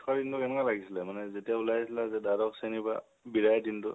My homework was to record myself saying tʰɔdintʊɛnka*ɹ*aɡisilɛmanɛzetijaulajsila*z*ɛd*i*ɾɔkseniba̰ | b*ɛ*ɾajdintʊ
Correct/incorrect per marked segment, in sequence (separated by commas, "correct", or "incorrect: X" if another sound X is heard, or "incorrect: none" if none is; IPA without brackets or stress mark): incorrect: l, correct, incorrect: a, incorrect: i